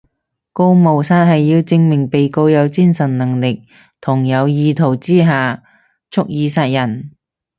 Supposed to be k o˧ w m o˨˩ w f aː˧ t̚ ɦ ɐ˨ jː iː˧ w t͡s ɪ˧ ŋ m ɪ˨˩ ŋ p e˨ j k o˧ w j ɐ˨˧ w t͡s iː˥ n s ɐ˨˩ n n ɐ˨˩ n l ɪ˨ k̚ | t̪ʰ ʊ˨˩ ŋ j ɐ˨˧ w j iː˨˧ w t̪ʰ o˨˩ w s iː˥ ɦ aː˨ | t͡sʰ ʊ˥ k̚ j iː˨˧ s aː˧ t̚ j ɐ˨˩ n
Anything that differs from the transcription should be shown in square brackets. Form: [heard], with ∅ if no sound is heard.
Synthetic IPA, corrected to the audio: k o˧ w m o˨˩ w [s] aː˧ t̚ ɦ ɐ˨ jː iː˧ w t͡s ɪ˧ ŋ m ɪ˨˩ ŋ p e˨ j k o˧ w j ɐ˨˧ w t͡s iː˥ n s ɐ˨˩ n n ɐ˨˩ [ŋ] l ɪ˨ k̚ | t̪ʰ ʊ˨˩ ŋ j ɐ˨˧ w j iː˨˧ [∅] t̪ʰ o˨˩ w [t͡s] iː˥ ɦ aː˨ | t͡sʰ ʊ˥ k̚ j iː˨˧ s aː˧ t̚ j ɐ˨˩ n